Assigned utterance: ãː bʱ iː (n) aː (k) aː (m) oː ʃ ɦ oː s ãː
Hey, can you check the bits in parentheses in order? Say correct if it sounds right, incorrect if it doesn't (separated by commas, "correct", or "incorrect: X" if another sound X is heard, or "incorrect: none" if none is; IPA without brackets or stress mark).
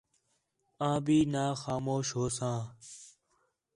correct, incorrect: x, correct